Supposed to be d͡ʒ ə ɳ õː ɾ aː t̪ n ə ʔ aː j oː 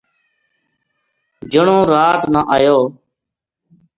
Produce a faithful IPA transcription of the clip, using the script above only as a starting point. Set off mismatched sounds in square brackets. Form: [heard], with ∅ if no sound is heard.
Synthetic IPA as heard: d͡ʒ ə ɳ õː ɾ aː t̪ n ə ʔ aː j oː

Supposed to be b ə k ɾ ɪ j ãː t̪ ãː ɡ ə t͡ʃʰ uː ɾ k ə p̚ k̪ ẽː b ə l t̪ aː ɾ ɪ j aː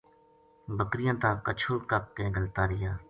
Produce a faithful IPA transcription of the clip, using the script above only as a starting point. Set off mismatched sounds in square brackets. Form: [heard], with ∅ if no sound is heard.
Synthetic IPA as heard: b ə k ɾ ɪ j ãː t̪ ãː [k] ə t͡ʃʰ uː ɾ k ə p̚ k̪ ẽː [ɡ] ə l t̪ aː ɾ ɪ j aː

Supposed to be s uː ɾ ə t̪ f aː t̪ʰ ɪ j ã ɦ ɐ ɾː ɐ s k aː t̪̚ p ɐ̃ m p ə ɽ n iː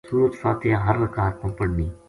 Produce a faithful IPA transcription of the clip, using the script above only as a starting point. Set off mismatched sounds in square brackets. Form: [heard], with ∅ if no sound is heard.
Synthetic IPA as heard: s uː ɾ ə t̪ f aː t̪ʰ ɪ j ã ɦ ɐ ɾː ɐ [∅] k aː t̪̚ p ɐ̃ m p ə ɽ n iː

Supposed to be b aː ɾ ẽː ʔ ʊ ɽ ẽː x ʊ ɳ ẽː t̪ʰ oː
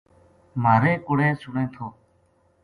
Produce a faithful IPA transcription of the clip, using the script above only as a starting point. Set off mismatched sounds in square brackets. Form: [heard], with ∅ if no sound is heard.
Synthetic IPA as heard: [m] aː ɾ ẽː [k] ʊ ɽ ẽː [s] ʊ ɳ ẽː t̪ʰ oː

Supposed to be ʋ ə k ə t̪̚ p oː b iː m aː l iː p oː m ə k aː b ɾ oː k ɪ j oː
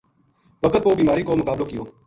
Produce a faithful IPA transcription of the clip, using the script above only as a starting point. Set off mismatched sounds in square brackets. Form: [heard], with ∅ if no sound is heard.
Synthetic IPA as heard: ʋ ə k ə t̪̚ p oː b iː m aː [ɾ] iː [k] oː m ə k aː b [l] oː k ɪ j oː

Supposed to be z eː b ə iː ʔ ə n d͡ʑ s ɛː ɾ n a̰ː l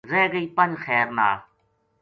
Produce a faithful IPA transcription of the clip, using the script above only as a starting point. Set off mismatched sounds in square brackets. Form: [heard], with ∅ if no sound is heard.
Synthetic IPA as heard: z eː [ɡ] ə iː [p] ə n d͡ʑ [x] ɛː ɾ n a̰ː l

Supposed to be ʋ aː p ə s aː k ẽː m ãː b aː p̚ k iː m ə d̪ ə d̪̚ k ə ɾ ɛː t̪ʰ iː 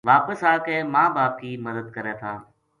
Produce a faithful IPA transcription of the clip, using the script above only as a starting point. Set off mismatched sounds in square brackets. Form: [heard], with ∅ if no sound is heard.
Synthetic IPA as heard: ʋ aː p ə s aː k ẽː m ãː b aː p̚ k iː m ə d̪ ə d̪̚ k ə ɾ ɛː t̪ʰ [aː]

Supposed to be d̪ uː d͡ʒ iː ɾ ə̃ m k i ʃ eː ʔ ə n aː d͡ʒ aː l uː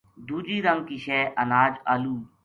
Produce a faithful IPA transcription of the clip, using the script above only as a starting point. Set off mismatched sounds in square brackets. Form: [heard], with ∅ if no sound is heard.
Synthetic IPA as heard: d̪ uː d͡ʒ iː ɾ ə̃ [ŋ] k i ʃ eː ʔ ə n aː d͡ʒ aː l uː

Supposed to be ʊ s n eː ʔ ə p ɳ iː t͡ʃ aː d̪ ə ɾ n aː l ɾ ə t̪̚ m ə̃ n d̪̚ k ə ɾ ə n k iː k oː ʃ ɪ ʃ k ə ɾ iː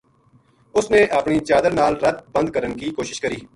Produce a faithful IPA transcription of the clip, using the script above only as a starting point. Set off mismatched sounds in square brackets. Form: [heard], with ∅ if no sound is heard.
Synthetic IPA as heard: ʊ s n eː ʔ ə p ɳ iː t͡ʃ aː d̪ ə ɾ n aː l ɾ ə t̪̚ [b] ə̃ n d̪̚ k ə ɾ ə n k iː k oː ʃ ɪ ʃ k ə ɾ iː

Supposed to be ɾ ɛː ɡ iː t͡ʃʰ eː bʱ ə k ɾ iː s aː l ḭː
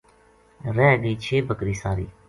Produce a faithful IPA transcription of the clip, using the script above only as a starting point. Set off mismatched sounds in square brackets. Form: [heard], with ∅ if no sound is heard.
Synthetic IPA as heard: ɾ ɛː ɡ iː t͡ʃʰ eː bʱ ə k ɾ iː s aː [ɾ] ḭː

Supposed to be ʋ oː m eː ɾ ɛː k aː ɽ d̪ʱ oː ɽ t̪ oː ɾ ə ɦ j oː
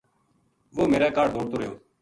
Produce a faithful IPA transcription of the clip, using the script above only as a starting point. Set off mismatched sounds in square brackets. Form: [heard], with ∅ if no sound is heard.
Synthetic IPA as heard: ʋ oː m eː ɾ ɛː k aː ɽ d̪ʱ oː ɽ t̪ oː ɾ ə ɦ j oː

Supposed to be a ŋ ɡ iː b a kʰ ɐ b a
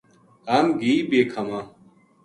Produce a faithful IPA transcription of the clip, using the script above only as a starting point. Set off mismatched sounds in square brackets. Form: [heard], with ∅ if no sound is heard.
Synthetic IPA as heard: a [m] ɡ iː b [e] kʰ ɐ [m] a

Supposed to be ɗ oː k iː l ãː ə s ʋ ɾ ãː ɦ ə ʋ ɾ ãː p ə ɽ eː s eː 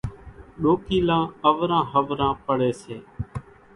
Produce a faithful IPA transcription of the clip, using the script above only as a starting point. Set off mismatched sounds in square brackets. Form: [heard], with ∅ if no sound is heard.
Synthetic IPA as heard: ɗ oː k iː l ãː ə [∅] ʋ ɾ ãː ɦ ə ʋ ɾ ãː p ə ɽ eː s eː

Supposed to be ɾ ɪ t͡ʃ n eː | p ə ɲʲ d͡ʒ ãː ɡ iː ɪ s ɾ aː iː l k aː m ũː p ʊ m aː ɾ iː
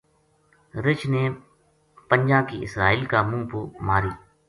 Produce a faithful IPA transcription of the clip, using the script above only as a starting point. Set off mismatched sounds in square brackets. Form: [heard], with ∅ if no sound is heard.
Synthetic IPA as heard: ɾ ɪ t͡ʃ n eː | p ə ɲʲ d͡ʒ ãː [k] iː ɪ s ɾ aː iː l k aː m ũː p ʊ m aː ɾ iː

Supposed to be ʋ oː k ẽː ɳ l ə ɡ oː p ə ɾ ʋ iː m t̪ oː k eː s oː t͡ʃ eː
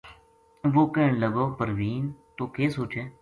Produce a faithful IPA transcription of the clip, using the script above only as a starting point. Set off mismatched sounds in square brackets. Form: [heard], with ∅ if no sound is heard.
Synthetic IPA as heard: ʋ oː k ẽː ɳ l ə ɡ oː p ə ɾ ʋ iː [n] t̪ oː k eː s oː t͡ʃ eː

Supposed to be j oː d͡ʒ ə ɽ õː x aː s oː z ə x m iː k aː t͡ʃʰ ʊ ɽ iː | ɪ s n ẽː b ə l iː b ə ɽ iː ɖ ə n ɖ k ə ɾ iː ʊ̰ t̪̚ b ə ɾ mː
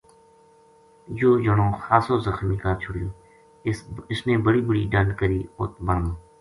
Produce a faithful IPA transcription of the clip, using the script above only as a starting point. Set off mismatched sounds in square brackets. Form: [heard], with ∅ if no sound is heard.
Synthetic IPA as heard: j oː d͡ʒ ə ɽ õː x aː s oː z ə x m iː k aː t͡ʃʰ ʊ ɽ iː | ɪ s n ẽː b ə [ɽ] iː b ə ɽ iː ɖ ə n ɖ k ə ɾ iː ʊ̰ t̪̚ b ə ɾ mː

